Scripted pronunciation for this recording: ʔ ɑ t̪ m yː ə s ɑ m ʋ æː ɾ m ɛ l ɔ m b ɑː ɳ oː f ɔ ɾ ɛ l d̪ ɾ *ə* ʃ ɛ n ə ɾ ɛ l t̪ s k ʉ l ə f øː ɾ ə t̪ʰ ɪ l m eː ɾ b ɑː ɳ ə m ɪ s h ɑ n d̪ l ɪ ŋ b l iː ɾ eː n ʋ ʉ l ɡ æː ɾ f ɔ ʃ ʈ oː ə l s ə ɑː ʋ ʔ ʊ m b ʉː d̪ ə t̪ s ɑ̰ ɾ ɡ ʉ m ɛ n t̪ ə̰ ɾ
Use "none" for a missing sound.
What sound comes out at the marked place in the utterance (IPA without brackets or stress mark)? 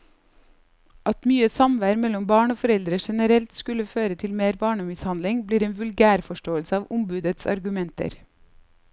ə